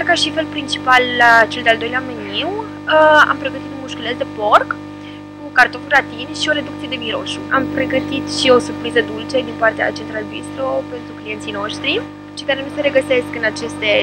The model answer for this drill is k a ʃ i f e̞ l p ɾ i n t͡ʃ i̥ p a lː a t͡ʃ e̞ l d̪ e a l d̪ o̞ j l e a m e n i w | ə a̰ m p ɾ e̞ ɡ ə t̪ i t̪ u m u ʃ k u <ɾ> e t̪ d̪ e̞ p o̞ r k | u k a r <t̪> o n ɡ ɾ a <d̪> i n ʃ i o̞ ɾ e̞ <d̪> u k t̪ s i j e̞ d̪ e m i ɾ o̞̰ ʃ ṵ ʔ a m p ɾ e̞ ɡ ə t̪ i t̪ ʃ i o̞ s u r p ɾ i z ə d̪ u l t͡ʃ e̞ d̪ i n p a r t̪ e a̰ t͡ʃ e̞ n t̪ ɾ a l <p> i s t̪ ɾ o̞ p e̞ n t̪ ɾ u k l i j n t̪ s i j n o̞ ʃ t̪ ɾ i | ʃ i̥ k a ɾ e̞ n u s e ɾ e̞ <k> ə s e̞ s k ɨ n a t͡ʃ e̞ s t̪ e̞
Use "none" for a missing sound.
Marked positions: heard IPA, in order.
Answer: l, t̪, t̪, d̪, b, ɡ

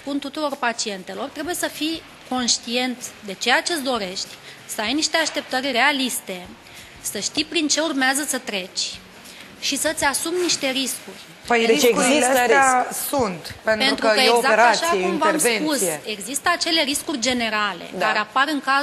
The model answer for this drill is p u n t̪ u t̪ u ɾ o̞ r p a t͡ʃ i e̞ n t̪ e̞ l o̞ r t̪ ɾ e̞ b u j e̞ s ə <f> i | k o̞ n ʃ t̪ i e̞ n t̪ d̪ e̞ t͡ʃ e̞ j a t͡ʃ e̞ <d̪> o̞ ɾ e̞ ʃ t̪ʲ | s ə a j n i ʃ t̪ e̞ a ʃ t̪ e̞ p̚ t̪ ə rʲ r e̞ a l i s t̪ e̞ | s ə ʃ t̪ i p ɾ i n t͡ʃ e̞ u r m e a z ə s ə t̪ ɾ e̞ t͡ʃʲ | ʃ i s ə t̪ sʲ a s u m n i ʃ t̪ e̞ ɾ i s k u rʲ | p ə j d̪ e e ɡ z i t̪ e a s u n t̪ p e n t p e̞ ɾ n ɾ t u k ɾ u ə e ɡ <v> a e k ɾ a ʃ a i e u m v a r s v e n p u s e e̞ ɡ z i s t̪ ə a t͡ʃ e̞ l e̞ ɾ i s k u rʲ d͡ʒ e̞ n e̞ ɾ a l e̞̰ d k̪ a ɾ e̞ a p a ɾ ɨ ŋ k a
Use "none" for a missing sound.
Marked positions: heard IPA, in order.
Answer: f, d̪, z

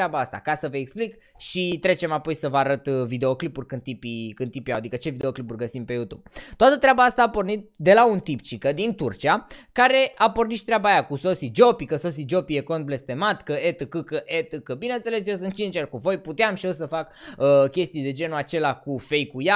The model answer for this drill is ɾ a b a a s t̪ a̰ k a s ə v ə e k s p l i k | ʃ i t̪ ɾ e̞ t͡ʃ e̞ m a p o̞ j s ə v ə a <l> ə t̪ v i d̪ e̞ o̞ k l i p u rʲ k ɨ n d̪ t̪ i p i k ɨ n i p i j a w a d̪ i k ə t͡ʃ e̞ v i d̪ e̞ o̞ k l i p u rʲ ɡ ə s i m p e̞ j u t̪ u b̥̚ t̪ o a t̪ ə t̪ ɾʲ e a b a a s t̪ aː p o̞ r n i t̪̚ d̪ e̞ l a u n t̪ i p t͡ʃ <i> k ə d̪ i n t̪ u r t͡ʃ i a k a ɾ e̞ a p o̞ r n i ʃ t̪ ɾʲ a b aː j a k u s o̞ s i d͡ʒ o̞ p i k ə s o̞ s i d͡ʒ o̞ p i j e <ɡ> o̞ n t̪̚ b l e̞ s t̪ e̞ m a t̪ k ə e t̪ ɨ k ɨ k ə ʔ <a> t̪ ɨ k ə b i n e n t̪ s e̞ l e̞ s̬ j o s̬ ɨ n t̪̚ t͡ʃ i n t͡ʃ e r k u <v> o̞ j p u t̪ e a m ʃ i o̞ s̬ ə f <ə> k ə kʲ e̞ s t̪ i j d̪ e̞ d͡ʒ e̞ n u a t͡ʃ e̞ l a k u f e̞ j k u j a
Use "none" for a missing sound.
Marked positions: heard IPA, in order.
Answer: ɾ, i, k, e, v, a

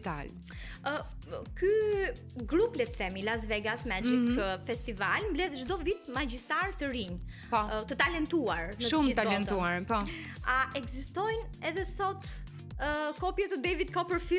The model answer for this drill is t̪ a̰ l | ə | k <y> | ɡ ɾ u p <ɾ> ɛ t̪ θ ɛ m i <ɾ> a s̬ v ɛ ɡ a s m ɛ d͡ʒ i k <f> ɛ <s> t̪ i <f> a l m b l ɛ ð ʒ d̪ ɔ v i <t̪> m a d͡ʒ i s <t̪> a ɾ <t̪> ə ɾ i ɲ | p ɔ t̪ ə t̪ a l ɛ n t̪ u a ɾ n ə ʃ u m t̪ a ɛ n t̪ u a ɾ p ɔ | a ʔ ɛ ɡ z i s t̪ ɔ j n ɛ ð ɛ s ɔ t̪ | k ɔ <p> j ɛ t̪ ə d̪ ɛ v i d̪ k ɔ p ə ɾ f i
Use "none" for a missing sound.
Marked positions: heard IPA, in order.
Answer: y, l, l, f, s, v, t̪, t̪, t̪, p

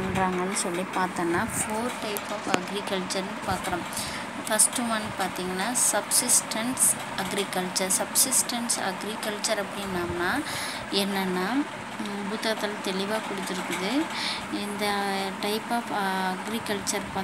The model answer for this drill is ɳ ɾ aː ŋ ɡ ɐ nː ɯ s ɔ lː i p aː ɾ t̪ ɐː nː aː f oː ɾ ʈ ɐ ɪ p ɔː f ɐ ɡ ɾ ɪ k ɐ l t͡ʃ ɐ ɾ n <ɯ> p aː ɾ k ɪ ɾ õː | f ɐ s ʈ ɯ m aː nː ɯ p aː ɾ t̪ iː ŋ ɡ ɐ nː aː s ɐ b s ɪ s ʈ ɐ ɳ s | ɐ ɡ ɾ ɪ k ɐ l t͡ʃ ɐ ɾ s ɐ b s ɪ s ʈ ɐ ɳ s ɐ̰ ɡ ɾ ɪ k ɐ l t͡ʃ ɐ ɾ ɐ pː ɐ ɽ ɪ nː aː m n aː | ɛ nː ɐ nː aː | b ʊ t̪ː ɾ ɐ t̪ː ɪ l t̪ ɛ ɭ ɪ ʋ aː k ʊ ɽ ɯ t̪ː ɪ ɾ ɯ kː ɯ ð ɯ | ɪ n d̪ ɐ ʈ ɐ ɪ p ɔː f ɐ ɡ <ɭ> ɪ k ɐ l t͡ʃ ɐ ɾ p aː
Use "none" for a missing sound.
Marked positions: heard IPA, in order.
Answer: ɯ, ɾ

